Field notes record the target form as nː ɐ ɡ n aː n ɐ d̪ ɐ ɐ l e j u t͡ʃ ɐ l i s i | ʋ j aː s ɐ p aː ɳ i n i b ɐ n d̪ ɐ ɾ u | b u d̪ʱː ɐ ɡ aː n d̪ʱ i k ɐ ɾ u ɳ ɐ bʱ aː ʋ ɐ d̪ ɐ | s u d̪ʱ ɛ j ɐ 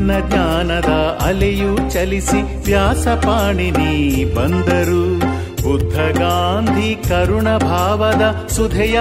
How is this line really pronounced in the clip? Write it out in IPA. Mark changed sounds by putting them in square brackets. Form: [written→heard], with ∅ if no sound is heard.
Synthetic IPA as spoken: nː ɐ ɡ [n→ɲ] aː n ɐ d̪ ɐ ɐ l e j u t͡ʃ ɐ l i s i | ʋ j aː s ɐ p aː ɳ i n i b ɐ n d̪ ɐ ɾ u | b u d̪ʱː ɐ ɡ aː n d̪ʱ i k ɐ ɾ u ɳ ɐ bʱ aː ʋ ɐ d̪ ɐ | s u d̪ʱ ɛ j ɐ